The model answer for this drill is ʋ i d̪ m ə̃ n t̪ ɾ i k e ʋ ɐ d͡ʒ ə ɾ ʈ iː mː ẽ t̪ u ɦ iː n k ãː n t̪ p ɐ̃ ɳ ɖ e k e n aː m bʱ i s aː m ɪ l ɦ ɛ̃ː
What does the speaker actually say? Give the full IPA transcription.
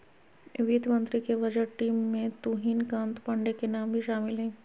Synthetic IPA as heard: ʋ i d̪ m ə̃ n t̪ ɾ i k e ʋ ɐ d͡ʒ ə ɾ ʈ iː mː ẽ t̪ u ɦ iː n k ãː n t̪ p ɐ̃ ɳ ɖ e k e n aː m bʱ i ʃ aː m ɪ l ɦ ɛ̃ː